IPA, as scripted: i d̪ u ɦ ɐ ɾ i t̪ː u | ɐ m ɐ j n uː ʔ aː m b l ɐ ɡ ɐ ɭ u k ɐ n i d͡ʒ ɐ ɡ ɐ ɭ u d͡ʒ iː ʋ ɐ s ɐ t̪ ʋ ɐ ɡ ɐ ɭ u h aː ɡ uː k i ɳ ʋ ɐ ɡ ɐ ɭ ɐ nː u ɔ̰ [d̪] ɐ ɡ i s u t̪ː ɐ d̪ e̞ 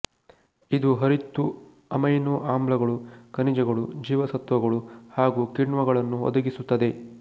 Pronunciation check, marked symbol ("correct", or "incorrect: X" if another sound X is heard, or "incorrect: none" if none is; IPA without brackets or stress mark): correct